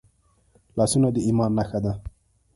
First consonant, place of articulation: alveolar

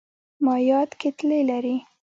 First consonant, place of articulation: labial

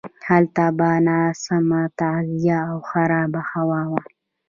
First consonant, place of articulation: glottal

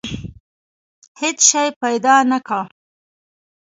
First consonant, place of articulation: glottal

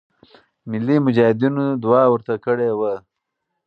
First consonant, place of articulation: labial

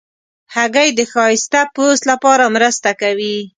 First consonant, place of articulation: glottal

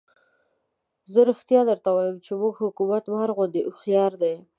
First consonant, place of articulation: alveolar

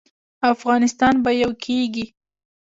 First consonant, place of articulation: labial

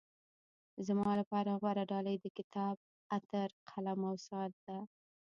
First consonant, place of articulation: alveolar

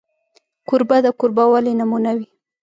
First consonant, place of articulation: velar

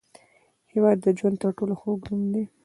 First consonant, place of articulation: glottal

